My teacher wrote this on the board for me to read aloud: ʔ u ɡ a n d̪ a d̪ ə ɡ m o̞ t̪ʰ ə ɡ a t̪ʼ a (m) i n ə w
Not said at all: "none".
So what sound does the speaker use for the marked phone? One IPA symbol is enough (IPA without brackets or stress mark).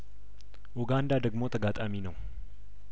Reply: m